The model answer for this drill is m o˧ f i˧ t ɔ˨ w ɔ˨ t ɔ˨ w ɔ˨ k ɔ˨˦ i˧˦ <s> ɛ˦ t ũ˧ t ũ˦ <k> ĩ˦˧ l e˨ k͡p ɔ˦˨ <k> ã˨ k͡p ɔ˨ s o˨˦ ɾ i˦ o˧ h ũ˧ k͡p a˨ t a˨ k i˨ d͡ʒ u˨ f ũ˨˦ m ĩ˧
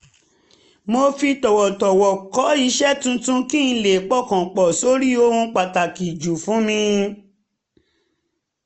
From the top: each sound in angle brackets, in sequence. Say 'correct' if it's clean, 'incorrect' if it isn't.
incorrect, correct, correct

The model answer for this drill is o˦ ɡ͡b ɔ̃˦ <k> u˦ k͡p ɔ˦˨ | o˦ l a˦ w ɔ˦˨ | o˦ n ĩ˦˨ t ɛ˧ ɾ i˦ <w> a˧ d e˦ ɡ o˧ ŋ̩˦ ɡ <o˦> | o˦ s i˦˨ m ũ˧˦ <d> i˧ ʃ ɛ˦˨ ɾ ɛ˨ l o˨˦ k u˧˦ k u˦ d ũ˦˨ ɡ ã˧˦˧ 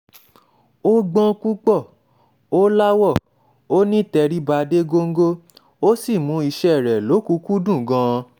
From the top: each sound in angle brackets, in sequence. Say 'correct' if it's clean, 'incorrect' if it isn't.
correct, incorrect, correct, incorrect

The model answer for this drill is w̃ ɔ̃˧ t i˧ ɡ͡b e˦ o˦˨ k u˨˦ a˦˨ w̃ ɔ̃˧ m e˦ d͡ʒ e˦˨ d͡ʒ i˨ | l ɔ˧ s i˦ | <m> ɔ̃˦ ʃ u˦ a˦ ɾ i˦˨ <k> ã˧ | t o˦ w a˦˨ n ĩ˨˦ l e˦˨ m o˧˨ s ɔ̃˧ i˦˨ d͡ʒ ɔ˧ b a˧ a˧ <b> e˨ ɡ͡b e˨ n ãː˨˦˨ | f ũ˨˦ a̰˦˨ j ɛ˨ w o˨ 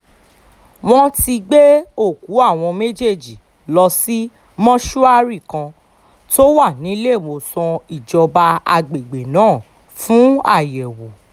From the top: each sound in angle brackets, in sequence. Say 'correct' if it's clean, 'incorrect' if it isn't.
correct, correct, incorrect

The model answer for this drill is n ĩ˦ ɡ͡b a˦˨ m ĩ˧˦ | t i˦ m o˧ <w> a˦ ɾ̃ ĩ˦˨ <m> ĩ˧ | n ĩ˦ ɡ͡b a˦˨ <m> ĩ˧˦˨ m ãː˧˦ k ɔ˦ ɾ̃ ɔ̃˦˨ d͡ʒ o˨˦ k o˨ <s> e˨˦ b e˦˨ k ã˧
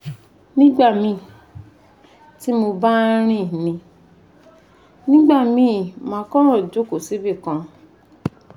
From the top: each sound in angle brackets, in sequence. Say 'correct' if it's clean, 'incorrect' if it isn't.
incorrect, incorrect, correct, correct

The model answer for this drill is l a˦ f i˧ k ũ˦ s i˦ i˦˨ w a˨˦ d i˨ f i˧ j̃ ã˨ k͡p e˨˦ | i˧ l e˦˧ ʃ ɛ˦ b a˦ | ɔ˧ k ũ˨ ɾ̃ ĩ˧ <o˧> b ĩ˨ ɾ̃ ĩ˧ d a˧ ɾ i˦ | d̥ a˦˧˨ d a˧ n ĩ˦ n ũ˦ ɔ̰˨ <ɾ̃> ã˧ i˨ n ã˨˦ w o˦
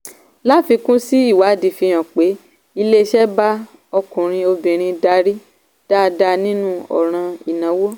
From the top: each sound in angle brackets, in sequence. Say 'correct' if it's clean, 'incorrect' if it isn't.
correct, correct

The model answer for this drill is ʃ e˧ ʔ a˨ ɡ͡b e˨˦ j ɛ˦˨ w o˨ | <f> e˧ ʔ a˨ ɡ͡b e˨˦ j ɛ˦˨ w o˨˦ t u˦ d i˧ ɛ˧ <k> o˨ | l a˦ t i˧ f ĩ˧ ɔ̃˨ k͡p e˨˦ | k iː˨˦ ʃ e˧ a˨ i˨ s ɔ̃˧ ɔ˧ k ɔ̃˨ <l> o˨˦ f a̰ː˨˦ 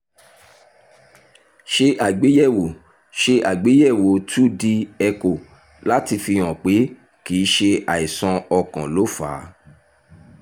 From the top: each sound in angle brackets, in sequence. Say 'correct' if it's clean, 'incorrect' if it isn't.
incorrect, correct, correct

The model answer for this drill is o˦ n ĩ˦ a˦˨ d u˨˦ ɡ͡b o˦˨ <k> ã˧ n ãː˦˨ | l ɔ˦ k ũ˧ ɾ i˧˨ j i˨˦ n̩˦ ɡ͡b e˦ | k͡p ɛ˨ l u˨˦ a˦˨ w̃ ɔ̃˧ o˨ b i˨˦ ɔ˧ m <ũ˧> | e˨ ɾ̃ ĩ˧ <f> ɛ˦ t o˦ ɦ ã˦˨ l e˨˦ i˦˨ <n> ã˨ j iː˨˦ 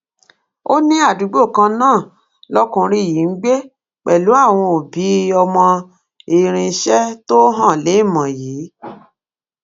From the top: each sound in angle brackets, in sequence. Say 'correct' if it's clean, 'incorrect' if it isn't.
correct, incorrect, incorrect, incorrect

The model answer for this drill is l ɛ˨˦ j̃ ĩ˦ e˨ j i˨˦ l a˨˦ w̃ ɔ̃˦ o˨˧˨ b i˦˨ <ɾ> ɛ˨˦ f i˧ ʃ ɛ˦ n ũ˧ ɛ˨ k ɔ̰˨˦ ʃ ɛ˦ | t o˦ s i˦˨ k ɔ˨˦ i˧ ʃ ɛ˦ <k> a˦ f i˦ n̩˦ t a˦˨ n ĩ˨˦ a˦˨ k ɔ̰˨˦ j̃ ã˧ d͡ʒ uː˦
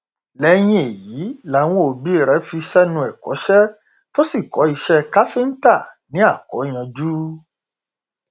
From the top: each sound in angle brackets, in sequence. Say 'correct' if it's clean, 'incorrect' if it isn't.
correct, correct

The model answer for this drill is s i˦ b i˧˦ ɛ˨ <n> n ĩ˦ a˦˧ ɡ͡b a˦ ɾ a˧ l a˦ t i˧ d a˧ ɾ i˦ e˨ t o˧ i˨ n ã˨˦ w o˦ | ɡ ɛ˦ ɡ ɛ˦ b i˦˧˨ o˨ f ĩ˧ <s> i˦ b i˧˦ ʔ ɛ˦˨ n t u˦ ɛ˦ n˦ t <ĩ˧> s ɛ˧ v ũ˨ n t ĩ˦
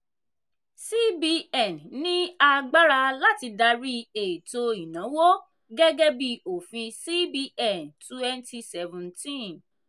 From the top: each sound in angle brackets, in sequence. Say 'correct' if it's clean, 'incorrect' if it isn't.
correct, correct, incorrect

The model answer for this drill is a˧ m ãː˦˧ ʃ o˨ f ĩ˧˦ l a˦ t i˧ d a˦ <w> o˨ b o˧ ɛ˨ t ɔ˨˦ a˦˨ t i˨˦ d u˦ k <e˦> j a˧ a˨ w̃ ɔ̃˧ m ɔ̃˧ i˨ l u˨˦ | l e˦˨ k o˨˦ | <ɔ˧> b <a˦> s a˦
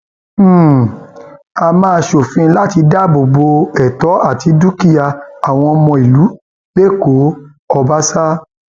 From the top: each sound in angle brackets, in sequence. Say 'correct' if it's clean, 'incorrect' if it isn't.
incorrect, incorrect, correct, correct

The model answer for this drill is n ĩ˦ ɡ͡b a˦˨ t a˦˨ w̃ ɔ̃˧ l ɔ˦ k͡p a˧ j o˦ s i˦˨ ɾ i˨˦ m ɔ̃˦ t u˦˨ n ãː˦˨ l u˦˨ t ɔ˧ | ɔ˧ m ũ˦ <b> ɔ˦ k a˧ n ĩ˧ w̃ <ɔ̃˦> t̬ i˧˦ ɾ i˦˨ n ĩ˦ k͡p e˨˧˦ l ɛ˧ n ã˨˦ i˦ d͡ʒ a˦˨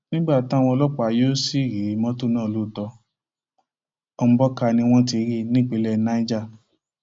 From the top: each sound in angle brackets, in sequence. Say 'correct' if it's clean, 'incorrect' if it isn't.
correct, correct

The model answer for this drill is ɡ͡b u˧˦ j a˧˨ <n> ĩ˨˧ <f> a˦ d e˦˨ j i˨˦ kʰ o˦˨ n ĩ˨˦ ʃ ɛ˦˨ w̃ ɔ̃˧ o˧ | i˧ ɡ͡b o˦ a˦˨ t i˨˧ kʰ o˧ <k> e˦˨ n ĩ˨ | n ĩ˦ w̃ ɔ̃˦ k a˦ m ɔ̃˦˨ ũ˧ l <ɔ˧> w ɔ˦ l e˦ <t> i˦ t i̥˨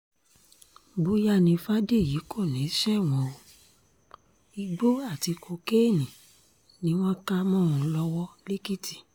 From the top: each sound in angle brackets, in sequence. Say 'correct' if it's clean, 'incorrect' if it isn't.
correct, correct, correct, correct, incorrect

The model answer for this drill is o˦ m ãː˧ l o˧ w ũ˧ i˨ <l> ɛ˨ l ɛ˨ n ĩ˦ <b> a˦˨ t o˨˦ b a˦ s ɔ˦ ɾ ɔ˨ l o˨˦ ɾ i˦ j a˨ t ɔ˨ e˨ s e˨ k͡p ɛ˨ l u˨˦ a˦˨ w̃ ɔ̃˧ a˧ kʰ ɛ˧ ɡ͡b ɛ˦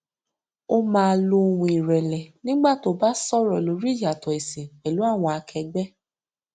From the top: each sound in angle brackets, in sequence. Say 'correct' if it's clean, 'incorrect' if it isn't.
incorrect, incorrect

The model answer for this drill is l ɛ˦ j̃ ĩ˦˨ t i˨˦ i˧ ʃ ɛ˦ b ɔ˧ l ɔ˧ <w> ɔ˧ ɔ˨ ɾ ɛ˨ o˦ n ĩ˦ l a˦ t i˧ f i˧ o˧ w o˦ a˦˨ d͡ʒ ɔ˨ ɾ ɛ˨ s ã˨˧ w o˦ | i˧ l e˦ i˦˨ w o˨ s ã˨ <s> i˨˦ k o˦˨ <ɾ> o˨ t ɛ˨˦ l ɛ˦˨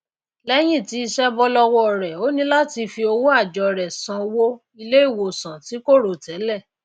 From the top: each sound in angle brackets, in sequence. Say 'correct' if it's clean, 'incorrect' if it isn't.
correct, incorrect, correct

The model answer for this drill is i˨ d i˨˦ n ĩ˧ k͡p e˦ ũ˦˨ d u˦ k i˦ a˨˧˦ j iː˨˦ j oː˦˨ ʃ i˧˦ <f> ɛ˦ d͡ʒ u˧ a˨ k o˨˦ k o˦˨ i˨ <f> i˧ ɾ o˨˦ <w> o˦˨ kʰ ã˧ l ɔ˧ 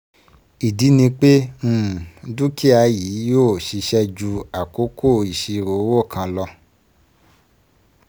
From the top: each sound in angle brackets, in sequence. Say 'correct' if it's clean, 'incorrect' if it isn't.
incorrect, incorrect, correct

